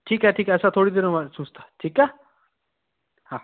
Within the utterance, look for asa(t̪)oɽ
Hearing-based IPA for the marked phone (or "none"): t̪ʰ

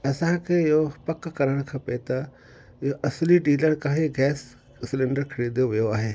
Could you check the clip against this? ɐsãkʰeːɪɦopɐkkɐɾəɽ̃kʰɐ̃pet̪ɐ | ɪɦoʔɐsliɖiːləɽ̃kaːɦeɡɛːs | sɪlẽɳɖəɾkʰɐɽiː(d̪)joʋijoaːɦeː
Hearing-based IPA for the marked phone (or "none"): d̪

